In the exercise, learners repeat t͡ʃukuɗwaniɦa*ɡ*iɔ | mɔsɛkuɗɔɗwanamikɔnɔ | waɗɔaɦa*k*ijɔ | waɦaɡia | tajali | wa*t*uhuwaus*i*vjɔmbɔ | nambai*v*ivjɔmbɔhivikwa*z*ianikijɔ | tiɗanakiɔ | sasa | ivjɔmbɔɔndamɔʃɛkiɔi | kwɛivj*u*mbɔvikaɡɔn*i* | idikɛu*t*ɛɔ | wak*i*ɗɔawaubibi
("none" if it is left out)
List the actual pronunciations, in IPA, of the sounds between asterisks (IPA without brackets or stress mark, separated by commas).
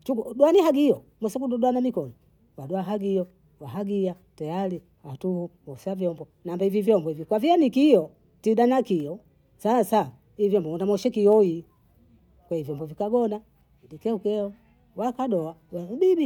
ɡ, ɡ, t, a, v, v, ɔ, a, k, a